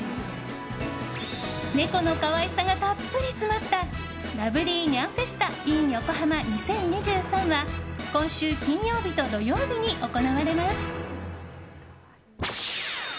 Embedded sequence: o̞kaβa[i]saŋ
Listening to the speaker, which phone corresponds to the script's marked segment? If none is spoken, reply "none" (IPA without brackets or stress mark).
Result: i